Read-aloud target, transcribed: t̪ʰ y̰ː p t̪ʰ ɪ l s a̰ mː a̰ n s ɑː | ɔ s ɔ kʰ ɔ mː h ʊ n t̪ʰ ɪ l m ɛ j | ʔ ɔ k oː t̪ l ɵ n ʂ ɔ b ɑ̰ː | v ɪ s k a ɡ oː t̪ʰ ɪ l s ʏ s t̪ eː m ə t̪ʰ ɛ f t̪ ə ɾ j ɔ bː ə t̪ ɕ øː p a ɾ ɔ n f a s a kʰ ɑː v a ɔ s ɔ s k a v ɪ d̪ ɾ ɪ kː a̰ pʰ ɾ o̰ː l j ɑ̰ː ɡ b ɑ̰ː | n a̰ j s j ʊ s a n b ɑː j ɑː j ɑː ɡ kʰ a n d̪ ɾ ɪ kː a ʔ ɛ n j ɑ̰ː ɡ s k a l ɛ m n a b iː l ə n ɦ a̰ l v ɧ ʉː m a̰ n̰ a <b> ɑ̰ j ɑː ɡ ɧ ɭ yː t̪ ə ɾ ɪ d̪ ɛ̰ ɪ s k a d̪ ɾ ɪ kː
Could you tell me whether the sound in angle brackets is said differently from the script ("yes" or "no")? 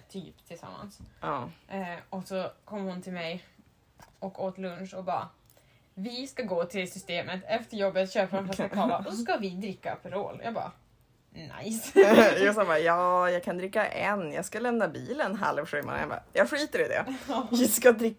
no